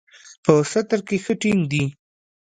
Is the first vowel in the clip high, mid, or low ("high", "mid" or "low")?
mid